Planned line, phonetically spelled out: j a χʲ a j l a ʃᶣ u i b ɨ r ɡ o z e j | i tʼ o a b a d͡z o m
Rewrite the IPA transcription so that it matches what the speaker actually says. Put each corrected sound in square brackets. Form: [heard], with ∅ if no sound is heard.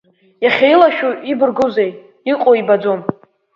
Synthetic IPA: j a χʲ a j l a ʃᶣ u i b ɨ r ɡ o z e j | i [qʼ] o [i] b a d͡z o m